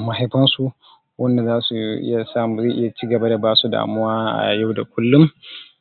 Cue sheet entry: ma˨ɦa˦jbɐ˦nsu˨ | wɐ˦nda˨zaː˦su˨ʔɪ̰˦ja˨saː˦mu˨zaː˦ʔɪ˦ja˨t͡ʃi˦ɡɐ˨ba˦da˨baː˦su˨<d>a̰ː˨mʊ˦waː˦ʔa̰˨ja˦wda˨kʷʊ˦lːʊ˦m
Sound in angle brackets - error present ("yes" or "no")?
no